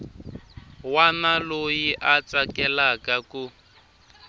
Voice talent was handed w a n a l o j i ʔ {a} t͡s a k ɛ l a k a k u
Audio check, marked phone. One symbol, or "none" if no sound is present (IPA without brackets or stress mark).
a